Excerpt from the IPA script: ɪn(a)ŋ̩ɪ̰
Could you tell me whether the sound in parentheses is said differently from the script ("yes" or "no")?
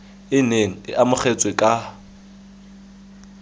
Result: yes